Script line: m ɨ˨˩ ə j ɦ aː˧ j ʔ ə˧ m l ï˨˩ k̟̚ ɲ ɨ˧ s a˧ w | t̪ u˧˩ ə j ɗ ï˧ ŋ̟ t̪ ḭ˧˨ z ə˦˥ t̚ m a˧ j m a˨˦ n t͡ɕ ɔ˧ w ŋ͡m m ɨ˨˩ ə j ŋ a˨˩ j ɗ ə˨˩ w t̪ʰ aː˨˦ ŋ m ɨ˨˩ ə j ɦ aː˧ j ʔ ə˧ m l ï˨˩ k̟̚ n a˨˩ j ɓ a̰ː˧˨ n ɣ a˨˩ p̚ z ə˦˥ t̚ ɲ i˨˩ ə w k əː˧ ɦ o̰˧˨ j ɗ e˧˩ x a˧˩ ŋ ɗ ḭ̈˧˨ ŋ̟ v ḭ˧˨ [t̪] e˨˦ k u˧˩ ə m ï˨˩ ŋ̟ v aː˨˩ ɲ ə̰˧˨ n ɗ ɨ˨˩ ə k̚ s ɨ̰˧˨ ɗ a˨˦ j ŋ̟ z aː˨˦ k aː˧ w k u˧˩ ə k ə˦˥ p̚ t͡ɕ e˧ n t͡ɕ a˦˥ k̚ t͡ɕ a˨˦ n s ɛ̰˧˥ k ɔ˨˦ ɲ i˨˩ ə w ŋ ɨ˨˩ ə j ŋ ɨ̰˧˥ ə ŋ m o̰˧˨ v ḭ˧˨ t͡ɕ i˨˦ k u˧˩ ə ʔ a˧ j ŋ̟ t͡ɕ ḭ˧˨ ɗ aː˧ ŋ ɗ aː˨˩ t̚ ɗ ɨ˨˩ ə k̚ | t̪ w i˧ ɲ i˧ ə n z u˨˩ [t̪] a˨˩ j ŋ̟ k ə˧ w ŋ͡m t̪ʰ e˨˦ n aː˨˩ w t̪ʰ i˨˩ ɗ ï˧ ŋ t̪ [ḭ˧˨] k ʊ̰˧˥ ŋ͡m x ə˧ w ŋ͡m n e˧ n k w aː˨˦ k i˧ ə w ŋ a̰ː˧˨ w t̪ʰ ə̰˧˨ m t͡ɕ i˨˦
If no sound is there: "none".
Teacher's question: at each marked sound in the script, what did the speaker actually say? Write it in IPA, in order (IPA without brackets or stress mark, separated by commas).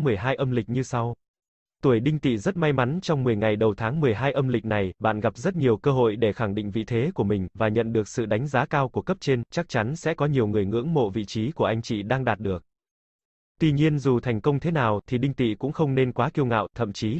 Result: t̪ʰ, t̪ʰ, ḭ˧˨